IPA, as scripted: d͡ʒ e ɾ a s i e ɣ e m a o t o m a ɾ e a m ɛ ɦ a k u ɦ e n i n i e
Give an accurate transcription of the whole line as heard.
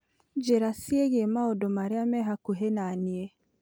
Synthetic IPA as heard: d͡ʒ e ɾ a s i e ɣ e m a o d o m a ɾ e a m ɛ ɦ a k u ɦ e n a n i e